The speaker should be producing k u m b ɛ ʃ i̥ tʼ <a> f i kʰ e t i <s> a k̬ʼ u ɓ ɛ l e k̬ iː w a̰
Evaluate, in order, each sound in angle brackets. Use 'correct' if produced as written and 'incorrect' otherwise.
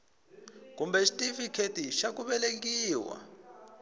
incorrect, incorrect

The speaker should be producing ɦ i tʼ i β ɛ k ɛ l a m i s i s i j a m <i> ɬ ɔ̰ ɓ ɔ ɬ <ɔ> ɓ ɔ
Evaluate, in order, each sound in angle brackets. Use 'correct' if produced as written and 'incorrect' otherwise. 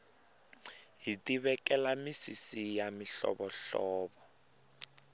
correct, incorrect

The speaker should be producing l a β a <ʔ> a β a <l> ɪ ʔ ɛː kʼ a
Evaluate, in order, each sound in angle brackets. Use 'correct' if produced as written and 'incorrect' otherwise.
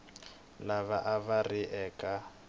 correct, incorrect

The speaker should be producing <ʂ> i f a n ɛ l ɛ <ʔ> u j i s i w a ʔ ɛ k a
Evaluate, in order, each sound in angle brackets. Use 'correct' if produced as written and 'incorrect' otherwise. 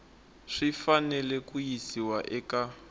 correct, incorrect

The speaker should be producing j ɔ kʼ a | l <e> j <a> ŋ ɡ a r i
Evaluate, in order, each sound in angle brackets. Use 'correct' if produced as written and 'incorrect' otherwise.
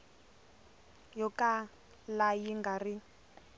incorrect, incorrect

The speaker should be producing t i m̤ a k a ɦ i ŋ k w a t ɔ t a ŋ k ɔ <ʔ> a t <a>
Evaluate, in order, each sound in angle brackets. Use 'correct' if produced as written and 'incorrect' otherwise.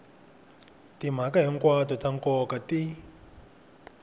incorrect, incorrect

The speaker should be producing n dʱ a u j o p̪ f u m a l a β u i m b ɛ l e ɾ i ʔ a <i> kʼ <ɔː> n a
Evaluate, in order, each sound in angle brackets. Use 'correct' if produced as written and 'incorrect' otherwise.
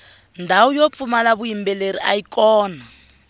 correct, correct

